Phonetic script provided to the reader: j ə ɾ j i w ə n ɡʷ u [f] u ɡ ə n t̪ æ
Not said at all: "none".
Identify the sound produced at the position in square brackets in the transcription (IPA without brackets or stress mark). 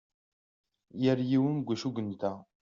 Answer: ʃ